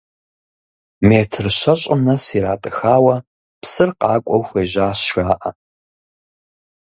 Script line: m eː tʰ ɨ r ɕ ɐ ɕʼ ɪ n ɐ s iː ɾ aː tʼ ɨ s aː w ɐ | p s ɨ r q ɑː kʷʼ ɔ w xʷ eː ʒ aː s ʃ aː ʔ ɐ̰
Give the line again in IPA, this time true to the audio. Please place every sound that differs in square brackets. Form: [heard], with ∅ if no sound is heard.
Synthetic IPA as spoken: m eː tʰ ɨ r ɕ ɐ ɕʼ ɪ n ɐ s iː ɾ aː tʼ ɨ [x] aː w ɐ | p s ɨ r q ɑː kʷʼ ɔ w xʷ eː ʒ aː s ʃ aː ʔ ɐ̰

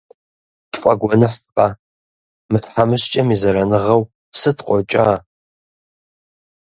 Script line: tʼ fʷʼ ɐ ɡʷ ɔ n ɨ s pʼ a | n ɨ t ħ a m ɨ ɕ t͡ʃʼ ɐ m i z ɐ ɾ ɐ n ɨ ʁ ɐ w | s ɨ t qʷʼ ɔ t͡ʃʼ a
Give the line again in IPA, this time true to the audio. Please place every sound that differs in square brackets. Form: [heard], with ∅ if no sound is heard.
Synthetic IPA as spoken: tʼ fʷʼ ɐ ɡʷ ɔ n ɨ [ħ] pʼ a | [m] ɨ t ħ a m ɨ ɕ t͡ʃʼ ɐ m i z ɐ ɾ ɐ n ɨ ʁ ɐ w | s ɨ t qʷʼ ɔ t͡ʃʼ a

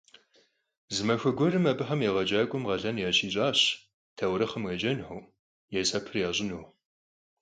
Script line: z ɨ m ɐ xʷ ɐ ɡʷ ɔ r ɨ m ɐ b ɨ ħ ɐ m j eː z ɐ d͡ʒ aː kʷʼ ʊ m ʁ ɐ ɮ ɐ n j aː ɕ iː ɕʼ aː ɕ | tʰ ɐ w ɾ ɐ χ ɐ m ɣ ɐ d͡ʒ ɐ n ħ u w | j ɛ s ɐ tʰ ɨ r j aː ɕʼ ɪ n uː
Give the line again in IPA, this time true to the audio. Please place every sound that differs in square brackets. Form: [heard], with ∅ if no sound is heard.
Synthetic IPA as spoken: z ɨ m ɐ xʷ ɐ ɡʷ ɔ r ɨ m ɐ b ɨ ħ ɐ m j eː [ʁ] ɐ d͡ʒ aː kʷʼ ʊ m ʁ ɐ ɮ ɐ n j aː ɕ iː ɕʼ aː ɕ | tʰ ɐ w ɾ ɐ χ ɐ m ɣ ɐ d͡ʒ ɐ n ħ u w | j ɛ s ɐ [pʰ] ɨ r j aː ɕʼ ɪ n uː

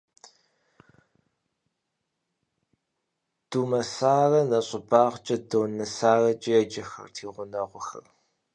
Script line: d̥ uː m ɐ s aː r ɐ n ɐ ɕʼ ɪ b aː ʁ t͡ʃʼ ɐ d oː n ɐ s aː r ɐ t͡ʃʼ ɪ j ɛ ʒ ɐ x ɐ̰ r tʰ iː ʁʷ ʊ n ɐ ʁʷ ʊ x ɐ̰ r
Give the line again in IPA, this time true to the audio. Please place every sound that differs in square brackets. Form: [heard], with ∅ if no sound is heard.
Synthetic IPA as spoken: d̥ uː m ɐ s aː r ɐ n ɐ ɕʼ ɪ b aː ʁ t͡ʃʼ ɐ d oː n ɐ s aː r ɐ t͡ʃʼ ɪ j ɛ [d͡ʒ] ɐ x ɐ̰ r tʰ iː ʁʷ ʊ n ɐ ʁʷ ʊ x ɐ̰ r

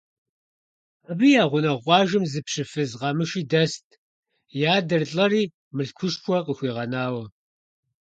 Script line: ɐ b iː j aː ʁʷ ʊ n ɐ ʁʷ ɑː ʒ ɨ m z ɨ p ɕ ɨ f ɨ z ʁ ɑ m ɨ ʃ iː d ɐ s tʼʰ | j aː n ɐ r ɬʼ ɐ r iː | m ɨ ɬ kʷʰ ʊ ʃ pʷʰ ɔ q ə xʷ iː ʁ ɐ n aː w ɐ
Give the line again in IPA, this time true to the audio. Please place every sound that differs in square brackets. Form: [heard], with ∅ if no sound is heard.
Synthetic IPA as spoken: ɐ b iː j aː ʁʷ ʊ n ɐ ʁʷ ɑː ʒ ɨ m z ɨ p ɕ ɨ f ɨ z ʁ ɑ m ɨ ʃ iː d ɐ s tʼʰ | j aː [d] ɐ r ɬʼ ɐ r iː | m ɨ ɬ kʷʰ ʊ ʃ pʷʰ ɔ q ə xʷ iː ʁ ɐ n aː w ɐ

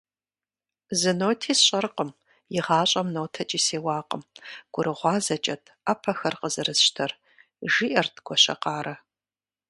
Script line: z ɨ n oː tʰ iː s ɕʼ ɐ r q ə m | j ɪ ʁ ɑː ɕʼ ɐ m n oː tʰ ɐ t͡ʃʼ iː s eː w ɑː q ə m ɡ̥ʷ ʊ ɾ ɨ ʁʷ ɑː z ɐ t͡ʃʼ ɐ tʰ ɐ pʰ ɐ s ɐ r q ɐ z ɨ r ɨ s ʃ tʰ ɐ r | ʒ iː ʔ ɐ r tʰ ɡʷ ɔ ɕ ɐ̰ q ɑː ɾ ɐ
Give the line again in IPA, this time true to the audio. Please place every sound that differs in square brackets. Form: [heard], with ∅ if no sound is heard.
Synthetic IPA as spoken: z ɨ n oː tʰ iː s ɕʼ ɐ r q ə m | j ɪ ʁ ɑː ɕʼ ɐ m n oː tʰ ɐ t͡ʃʼ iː s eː w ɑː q ə m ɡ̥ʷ ʊ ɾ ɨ ʁʷ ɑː z ɐ t͡ʃʼ ɐ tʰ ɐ pʰ ɐ [x] ɐ r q [ə] z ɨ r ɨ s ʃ tʰ ɐ r | ʒ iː ʔ ɐ r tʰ ɡʷ ɔ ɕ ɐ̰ q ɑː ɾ ɐ

